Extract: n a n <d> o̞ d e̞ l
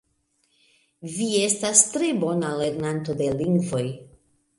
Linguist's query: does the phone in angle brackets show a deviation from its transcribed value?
yes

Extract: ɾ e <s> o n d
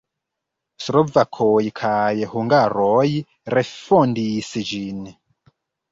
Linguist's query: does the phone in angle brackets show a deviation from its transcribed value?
yes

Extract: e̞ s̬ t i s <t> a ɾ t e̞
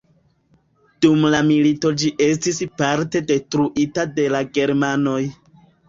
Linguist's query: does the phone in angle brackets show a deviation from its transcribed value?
yes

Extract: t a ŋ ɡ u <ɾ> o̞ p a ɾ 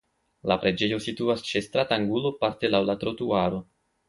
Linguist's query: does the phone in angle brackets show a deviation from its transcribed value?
yes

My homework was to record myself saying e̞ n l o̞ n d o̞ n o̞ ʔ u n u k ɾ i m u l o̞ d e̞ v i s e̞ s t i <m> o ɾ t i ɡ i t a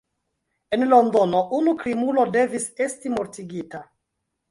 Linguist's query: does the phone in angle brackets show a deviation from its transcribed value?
no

